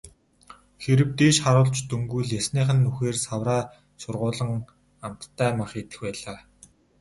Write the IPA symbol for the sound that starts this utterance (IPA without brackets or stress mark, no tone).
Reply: x